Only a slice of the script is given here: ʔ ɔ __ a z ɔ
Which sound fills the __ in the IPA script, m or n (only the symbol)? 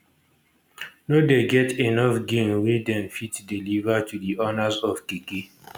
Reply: n